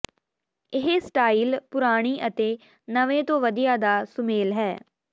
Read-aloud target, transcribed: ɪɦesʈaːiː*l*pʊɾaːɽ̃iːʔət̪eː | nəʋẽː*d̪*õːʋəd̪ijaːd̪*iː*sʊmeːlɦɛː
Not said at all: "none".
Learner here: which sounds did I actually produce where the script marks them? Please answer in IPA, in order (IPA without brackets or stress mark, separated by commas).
l, t̪, aː